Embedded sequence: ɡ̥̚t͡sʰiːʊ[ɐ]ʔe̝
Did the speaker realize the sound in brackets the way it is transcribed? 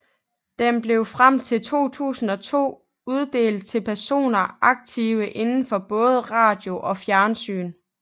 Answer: no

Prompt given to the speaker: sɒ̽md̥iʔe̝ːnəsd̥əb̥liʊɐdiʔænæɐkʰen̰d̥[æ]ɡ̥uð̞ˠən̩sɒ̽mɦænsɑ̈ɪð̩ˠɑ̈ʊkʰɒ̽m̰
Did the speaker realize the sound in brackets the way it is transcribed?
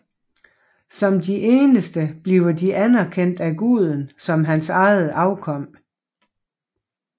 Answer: yes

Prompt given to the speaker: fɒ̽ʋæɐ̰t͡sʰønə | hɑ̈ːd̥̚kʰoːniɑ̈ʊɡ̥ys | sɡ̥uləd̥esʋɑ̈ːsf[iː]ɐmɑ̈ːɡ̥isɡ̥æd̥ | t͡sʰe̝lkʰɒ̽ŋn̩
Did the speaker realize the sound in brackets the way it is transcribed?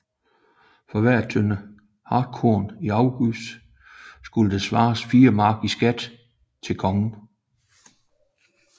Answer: yes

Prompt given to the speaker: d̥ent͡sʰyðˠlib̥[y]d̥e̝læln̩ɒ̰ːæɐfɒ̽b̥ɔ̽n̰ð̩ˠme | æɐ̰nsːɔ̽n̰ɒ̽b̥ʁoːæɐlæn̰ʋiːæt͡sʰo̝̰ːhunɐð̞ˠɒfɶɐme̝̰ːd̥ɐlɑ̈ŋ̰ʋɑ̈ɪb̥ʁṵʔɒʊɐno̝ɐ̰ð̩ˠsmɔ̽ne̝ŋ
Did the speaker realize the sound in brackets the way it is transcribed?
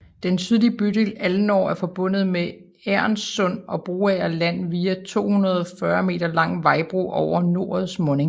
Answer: yes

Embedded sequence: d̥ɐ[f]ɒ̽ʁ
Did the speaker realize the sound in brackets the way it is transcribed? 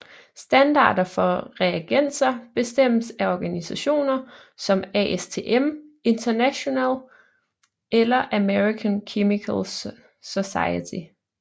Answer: yes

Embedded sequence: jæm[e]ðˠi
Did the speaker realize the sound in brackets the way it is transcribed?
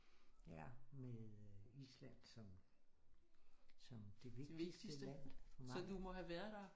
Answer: yes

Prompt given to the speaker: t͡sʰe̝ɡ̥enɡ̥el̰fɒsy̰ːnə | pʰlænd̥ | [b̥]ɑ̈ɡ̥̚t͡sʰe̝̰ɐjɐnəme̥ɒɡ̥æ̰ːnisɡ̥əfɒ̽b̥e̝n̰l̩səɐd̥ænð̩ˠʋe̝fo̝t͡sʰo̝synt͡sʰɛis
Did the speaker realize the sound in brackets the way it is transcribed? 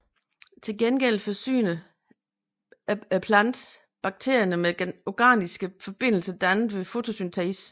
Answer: yes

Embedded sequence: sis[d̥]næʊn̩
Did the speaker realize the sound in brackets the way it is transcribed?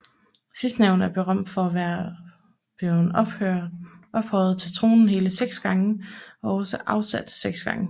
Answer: yes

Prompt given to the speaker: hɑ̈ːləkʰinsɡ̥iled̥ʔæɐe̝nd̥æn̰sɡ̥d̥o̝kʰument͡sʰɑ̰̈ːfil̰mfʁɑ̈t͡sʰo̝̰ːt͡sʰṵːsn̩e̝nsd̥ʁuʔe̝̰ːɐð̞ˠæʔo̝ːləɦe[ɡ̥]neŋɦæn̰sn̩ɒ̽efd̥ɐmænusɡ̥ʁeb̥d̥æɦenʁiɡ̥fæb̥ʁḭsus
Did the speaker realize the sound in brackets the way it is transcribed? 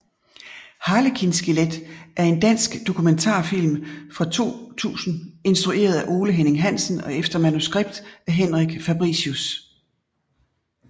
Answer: no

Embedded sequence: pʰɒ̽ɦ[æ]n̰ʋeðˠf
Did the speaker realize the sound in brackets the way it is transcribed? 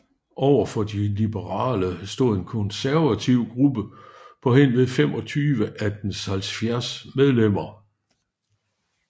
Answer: no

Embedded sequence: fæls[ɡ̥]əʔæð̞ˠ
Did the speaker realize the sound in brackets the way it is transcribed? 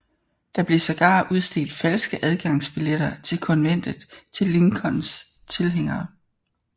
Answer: yes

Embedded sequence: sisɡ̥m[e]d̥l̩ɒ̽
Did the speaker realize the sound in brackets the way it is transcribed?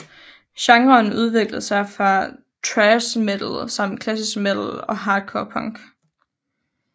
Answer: yes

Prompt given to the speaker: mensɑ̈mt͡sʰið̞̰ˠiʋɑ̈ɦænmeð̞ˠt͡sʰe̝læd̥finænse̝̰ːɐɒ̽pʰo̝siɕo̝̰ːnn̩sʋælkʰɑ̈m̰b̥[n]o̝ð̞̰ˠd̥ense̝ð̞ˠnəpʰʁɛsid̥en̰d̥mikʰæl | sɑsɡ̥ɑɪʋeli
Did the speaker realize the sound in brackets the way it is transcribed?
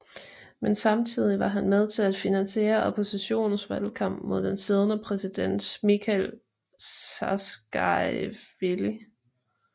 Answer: no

